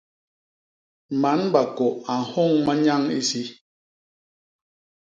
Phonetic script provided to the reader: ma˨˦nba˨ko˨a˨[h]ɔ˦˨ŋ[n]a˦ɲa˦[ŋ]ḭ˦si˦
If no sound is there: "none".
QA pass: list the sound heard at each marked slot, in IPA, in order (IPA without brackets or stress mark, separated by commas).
h, m, ŋ